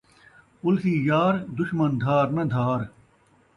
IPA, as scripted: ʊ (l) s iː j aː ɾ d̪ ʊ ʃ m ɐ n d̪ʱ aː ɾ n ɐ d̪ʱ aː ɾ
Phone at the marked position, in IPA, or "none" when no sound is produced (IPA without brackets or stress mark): l